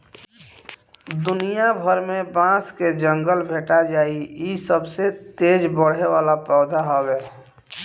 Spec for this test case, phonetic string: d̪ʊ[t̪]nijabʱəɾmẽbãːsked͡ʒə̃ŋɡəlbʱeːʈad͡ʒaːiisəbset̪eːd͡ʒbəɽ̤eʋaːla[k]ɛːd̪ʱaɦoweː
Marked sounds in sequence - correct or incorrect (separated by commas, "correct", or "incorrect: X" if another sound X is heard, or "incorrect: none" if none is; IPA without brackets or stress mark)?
incorrect: none, incorrect: p